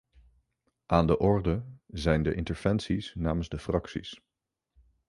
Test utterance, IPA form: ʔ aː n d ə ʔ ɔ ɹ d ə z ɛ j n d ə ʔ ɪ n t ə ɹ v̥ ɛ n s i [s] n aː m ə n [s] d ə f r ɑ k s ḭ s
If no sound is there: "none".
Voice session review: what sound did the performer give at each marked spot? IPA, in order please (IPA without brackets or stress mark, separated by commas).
s, z